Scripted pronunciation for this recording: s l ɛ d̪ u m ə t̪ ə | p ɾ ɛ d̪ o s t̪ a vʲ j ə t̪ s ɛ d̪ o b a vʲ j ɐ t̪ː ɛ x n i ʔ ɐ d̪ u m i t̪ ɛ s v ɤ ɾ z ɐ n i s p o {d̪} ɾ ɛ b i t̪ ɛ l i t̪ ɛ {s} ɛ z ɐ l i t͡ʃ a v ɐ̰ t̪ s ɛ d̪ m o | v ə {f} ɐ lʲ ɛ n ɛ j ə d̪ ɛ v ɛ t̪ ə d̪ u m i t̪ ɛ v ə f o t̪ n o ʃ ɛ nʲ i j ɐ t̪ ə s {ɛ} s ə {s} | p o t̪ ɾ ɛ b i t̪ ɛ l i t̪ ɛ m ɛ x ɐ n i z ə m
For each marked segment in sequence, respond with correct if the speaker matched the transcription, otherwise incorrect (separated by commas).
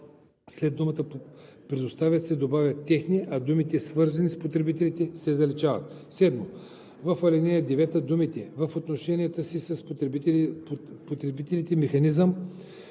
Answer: incorrect, correct, correct, incorrect, correct